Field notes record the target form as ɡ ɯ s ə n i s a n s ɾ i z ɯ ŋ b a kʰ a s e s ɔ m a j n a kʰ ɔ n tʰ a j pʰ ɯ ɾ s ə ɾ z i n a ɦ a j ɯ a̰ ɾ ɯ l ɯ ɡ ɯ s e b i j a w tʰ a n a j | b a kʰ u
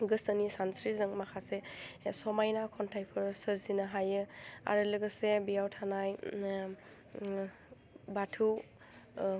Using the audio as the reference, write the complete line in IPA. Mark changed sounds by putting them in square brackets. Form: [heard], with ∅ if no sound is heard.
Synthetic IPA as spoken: ɡ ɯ s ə n i s a n s ɾ i z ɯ ŋ [m] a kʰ a s e s ɔ m a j n a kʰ ɔ n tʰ a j pʰ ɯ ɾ s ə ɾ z i n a ɦ a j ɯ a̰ ɾ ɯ l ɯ ɡ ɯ s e b i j a w tʰ a n a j | b a [tʰ] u